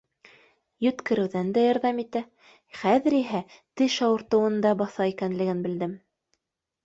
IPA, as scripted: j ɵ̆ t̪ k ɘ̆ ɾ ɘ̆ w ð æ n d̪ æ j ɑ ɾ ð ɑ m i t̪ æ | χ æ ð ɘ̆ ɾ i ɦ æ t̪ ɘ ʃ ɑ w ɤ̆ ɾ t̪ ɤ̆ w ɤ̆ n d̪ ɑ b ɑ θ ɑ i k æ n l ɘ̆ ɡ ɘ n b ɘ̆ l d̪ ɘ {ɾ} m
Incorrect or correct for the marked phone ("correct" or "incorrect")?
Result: incorrect